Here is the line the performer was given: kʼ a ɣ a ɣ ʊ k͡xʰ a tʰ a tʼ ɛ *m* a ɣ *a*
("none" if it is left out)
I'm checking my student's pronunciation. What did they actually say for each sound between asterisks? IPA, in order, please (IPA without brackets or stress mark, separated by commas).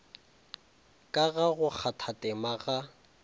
m, a